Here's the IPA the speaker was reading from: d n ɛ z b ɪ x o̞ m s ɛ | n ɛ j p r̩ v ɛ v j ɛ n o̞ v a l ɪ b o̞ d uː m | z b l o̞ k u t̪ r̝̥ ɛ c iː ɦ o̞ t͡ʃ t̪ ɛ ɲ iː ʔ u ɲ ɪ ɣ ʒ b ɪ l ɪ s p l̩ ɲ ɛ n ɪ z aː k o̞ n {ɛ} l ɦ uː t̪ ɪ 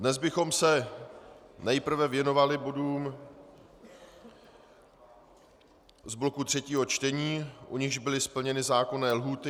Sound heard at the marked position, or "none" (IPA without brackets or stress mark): ɛː